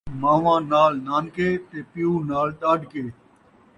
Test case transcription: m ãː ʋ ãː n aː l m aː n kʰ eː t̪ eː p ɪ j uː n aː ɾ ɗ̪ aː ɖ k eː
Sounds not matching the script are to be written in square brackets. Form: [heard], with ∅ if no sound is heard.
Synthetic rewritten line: m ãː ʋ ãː n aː l [n] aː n [k] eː t̪ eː p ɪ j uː n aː [l] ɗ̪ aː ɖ k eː

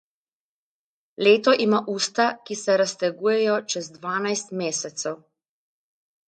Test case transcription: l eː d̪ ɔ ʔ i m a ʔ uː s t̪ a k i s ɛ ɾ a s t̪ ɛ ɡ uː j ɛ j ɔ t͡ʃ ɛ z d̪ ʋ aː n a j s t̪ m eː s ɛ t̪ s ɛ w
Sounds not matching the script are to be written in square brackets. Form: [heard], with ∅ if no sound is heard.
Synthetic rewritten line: l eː [t̪] ɔ ʔ i m a ʔ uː s t̪ a k i s ɛ ɾ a s t̪ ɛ ɡ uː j ɛ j ɔ t͡ʃ ɛ z d̪ ʋ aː n a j s t̪ m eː s ɛ t̪ s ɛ w

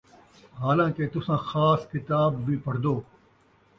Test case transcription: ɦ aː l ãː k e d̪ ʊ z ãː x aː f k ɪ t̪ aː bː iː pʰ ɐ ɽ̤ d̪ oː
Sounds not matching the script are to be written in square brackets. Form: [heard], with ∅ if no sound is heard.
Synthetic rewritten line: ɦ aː l ãː k e [t̪] ʊ [s] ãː x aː [s] k ɪ t̪ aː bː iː [p] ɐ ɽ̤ d̪ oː

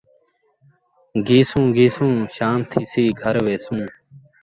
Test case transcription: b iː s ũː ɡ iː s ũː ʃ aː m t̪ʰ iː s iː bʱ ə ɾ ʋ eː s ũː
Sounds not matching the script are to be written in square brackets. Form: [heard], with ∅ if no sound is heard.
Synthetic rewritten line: [ɡ] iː s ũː ɡ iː s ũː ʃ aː m t̪ʰ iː s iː [ɡʱ] ə ɾ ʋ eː s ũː

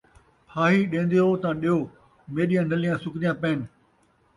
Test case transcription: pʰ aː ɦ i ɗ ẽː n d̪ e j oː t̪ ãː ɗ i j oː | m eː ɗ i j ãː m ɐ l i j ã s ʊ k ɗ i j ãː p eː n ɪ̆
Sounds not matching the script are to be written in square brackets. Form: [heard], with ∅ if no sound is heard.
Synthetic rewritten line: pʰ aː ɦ i ɗ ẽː n d̪ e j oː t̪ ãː ɗ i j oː | m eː ɗ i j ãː [n] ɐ l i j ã s ʊ k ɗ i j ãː p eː n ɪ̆

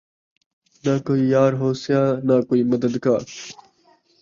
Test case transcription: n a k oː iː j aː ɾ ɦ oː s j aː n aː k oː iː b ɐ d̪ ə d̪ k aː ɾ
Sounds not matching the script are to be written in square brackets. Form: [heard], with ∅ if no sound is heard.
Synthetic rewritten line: n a k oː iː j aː ɾ ɦ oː s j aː n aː k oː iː [m] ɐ d̪ ə d̪ k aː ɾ

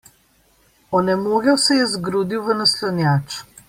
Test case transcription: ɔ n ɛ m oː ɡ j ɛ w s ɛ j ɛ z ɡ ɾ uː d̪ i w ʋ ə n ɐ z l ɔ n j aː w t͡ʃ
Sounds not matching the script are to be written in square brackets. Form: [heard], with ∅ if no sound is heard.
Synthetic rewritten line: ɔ n ɛ m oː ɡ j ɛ w s ɛ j ɛ z ɡ ɾ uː d̪ i w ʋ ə n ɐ [s] l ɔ n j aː [∅] t͡ʃ

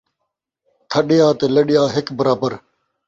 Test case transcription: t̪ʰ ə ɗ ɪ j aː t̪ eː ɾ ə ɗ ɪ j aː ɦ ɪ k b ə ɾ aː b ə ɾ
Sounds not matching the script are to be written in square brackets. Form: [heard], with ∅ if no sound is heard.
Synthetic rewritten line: t̪ʰ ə ɗ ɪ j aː t̪ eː [l] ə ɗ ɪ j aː ɦ ɪ k b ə ɾ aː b ə ɾ

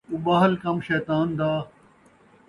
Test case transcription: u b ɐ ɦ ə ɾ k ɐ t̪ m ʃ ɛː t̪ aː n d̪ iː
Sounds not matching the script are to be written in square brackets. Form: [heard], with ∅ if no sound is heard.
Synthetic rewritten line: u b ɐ ɦ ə [l] k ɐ [∅] m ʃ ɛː t̪ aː n d̪ [aː]

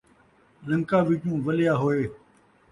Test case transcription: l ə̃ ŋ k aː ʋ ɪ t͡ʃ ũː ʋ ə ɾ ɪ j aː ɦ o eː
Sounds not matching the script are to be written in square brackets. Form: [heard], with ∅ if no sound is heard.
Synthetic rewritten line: l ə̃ ŋ k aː ʋ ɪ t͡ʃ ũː ʋ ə [l] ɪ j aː ɦ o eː

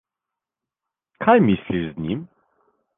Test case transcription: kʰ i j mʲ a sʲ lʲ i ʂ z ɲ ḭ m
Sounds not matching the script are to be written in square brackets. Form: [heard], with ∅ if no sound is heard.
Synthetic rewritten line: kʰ [a] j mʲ [i] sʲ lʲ i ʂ z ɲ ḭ m

